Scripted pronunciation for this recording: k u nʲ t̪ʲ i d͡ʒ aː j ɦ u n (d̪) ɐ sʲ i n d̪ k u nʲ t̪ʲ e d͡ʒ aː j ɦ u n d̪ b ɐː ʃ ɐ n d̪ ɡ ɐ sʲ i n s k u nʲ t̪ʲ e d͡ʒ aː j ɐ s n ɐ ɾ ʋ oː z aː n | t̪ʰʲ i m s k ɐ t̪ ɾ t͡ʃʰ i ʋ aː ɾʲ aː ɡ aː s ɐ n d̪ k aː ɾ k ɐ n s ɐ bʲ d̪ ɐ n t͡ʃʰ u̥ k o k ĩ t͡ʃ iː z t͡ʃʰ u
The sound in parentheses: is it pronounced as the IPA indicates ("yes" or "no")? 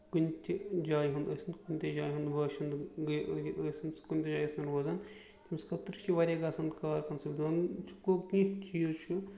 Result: yes